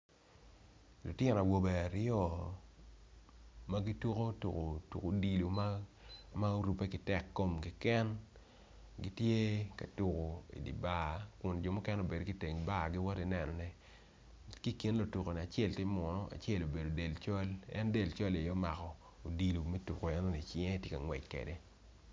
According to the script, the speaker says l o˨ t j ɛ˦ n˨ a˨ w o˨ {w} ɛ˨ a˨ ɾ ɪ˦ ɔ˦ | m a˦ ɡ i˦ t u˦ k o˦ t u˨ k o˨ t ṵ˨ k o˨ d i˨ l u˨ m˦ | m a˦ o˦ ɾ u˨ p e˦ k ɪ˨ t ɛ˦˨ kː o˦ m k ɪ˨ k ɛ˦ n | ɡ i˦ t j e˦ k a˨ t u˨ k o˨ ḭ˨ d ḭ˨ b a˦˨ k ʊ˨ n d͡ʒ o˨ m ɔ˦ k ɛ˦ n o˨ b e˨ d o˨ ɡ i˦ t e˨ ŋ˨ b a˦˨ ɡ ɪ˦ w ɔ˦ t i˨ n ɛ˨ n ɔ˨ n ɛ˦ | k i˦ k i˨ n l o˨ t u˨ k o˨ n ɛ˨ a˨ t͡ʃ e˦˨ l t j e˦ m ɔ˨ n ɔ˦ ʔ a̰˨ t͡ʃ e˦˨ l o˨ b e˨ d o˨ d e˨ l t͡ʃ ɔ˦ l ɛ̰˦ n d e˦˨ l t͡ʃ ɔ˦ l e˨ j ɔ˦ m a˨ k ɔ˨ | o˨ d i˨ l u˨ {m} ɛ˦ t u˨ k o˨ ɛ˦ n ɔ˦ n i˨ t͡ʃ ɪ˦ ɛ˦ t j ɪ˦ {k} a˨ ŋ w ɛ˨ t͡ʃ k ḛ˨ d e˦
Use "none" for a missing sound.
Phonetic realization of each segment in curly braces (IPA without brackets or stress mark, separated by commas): b, m, k